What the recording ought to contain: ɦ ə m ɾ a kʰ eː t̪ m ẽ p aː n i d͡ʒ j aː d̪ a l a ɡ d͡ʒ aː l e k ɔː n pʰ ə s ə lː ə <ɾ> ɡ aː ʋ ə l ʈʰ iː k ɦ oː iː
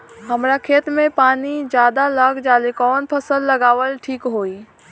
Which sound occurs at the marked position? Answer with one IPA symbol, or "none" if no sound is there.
none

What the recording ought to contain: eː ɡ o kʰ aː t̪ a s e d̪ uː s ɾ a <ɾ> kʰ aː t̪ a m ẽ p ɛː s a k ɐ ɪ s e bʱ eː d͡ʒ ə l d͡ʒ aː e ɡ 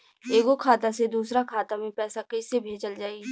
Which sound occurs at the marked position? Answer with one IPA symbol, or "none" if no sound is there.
none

